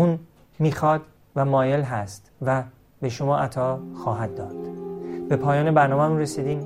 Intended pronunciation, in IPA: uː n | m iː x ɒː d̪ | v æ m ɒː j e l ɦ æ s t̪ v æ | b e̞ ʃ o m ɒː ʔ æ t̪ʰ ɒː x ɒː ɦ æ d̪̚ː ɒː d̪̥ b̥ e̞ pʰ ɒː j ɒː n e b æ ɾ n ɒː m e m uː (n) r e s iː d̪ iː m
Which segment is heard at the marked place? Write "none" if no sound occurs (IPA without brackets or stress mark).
n